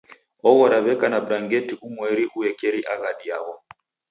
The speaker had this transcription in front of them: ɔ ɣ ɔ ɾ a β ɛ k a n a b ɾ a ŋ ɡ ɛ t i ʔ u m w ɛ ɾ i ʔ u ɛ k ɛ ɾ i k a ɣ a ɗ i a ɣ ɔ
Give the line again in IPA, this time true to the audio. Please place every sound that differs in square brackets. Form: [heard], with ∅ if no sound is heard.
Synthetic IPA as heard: ɔ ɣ ɔ ɾ a β ɛ k a n a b ɾ a ŋ ɡ ɛ t i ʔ u m w ɛ ɾ i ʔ u ɛ k ɛ ɾ i [ʔ] a ɣ a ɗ i a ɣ ɔ